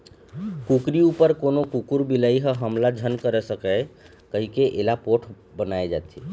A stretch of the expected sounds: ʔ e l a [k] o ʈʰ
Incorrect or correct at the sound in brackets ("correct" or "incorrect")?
incorrect